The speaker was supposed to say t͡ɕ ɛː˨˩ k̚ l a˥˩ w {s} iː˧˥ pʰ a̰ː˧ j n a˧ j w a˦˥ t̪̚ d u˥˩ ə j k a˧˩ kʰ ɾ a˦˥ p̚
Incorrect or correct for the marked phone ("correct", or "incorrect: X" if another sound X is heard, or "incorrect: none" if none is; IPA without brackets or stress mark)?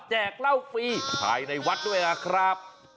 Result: incorrect: f